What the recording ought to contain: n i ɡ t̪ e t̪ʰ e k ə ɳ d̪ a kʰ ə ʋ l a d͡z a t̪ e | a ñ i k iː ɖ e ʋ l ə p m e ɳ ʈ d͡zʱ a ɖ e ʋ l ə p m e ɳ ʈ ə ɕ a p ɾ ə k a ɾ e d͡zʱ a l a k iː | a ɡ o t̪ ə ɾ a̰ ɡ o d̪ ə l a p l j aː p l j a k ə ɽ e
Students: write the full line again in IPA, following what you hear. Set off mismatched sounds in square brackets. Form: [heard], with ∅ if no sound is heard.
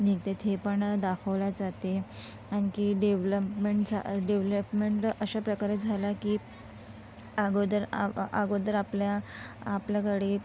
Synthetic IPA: n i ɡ t̪ e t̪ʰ e [p] ə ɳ d̪ a kʰ ə ʋ l a d͡z a t̪ e | a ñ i k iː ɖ e ʋ l ə p m e ɳ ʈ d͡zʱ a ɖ e ʋ l ə p m e ɳ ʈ ə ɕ a p ɾ ə k a ɾ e d͡zʱ a l a k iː | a ɡ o [d̪] ə ɾ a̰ ɡ o d̪ ə [ɾ] a p l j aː p l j a k ə ɽ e